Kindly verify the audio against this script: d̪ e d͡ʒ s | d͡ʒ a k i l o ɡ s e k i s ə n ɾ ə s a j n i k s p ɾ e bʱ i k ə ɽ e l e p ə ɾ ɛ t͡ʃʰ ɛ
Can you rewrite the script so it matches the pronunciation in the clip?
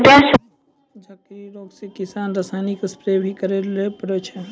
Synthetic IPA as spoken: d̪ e s | d͡ʒ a k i ɾ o ɡ s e k i s a n ɾ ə s a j n i k s p ɾ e bʱ i k ə ɾ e l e p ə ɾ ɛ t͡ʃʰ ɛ